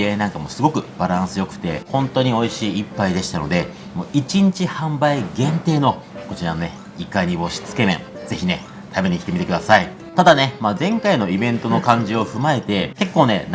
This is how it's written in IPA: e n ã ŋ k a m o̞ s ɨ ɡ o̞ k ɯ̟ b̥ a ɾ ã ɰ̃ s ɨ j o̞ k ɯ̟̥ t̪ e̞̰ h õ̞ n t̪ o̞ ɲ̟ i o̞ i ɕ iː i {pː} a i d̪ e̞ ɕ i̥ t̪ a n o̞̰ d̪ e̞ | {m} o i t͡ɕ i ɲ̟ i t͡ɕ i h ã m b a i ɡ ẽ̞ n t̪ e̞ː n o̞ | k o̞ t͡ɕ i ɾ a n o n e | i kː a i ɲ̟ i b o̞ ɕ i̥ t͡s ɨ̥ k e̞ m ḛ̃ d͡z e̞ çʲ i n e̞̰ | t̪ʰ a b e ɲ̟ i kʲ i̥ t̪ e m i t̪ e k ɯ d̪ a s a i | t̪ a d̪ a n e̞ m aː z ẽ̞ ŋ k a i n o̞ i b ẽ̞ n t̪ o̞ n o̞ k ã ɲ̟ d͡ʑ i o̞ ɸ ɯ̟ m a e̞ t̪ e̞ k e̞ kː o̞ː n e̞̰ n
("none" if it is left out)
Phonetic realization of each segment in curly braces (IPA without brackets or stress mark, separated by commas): pː, m